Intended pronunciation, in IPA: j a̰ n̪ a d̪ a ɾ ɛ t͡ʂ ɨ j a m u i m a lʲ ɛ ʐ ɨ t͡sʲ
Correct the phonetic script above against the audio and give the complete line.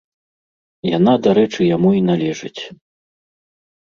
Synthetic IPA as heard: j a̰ n̪ a d̪ a ɾ ɛ t͡ʂ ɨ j a m u i n a lʲ ɛ ʐ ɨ t͡sʲ